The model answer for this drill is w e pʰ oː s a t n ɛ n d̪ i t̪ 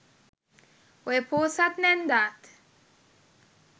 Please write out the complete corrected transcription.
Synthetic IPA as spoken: w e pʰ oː s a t n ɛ n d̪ a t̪